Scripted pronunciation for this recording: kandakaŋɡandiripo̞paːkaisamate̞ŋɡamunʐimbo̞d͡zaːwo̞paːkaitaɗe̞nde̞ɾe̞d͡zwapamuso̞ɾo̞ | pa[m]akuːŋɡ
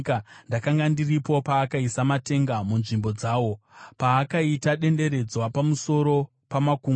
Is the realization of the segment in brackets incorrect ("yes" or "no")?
no